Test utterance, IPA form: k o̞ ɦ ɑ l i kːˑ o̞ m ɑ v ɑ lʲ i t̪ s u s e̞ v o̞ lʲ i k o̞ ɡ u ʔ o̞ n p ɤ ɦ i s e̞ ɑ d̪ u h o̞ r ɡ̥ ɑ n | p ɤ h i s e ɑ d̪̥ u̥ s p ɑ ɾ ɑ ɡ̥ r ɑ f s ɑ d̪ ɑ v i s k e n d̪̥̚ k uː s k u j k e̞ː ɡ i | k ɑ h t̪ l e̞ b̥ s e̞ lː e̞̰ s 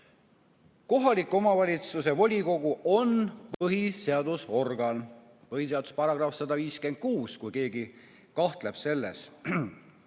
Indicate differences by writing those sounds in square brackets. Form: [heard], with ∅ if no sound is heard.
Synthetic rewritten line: k o̞ ɦ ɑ l i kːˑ o̞ m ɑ v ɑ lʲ i t̪ s u s e̞ v o̞ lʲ i k o̞ ɡ u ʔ o̞ n p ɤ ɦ i s e̞ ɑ d̪ u [s] o̞ r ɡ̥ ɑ n | p ɤ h i s e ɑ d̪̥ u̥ s p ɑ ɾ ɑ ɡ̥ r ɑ f s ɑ d̪ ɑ v [iː] s k e n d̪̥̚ k uː s k u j k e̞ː ɡ i | k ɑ h t̪ l e̞ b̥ s e̞ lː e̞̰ s